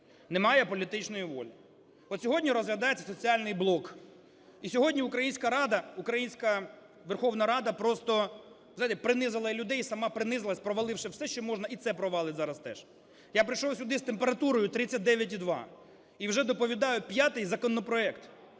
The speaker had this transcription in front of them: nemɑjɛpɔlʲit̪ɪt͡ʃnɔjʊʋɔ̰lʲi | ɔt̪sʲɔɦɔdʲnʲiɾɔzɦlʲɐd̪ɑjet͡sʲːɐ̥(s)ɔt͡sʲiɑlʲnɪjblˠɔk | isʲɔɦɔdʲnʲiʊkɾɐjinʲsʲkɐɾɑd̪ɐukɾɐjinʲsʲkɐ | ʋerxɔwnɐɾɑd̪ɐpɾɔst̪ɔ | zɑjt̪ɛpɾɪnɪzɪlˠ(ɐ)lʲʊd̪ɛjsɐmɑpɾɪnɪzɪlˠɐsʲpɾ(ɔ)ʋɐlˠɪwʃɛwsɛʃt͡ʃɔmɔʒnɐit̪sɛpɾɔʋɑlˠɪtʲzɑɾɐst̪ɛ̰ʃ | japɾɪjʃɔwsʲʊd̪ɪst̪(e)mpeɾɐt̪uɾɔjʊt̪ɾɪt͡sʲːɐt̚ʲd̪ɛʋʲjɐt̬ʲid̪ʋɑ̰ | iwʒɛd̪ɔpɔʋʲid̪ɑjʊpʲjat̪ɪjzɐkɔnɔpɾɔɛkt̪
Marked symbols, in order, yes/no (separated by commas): yes, yes, yes, yes